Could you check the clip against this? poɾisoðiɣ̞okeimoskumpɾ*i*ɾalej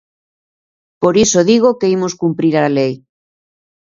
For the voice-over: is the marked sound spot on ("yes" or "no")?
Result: yes